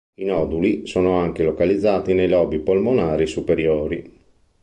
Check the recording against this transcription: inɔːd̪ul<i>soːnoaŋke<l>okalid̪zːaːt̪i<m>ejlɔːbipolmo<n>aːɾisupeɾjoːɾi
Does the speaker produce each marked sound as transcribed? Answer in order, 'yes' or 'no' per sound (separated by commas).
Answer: yes, yes, no, yes